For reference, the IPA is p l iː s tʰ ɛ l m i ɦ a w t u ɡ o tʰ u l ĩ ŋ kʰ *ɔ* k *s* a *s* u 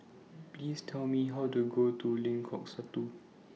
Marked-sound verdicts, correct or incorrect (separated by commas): correct, correct, incorrect